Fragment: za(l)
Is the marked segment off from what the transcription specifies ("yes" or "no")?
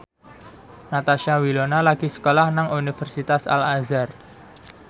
yes